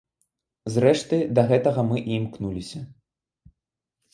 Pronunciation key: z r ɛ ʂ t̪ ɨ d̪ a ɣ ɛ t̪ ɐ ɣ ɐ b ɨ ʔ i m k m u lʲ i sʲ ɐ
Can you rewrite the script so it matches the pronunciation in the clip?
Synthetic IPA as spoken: z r ɛ ʂ t̪ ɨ d̪ ɐ ɣ ɛ t̪ ɐ ɣ ɐ m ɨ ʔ i m k n u lʲ i sʲ ɐ